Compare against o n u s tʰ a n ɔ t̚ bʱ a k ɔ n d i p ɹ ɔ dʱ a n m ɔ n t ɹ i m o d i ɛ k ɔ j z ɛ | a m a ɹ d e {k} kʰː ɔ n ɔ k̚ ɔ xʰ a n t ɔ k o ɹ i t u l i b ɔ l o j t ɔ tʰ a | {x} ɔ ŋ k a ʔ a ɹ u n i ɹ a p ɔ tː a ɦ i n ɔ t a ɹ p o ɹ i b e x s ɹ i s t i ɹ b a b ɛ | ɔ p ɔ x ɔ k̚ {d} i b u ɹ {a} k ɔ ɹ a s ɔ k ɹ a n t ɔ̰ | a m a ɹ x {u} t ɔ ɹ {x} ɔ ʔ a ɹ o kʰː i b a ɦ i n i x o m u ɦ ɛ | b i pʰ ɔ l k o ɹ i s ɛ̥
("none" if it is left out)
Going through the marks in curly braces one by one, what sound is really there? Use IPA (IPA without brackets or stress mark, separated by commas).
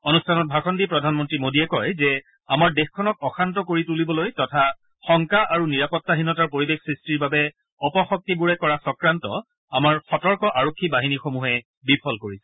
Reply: x, x, t, ɛ, ɔ, k